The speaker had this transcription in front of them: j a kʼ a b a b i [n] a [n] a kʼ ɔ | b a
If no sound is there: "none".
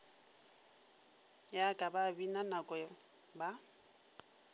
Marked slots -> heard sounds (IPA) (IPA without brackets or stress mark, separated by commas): n, n